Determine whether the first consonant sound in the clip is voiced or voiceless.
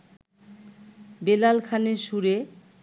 voiced